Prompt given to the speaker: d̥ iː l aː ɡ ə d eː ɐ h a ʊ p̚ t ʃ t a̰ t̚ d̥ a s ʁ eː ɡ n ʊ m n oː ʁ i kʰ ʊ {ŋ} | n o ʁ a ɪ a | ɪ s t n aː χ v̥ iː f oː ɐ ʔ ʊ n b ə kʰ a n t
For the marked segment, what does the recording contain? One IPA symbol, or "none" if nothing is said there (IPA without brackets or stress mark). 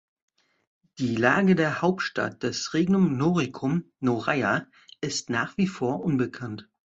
m